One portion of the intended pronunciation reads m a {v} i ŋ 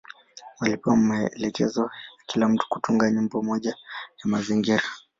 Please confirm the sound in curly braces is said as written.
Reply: no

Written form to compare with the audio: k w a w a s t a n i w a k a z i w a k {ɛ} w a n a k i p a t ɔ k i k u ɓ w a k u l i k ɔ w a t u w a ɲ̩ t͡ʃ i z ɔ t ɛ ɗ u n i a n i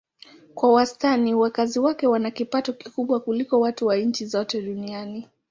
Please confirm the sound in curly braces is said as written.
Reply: yes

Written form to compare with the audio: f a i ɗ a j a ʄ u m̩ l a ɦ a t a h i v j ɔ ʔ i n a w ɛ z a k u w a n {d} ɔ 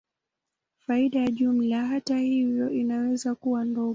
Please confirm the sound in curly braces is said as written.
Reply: yes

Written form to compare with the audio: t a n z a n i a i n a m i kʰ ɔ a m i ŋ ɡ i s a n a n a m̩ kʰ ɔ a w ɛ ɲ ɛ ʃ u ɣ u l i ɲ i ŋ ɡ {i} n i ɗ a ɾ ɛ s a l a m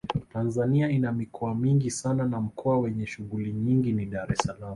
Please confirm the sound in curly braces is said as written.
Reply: yes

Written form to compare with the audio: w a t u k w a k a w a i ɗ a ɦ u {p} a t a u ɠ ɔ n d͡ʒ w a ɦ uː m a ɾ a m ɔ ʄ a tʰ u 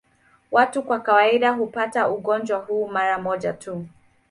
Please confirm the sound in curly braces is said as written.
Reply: yes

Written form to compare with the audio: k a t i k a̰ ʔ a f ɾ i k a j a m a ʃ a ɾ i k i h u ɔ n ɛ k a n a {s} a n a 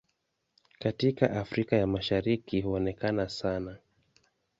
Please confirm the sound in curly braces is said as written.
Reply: yes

